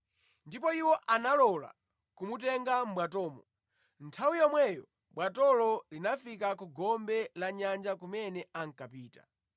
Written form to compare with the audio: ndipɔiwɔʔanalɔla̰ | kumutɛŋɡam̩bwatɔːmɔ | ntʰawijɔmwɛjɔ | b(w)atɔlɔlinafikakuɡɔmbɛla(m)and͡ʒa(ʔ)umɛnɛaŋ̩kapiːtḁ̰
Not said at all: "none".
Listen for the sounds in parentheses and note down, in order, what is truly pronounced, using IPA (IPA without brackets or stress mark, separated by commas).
w, ɲ, k